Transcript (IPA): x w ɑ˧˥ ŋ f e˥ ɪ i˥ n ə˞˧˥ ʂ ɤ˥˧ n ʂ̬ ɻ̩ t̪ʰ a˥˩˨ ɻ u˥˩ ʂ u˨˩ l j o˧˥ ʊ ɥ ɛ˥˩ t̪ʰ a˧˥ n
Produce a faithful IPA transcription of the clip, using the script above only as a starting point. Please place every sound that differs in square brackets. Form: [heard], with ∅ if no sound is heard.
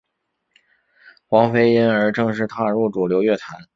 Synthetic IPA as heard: x w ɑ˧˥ ŋ f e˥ ɪ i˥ n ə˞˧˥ [ʈ͡ʂ] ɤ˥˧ [ŋ] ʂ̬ ɻ̩ t̪ʰ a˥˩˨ ɻ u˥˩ [ʈ͡ʂ] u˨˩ l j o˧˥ ʊ ɥ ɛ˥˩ t̪ʰ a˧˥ n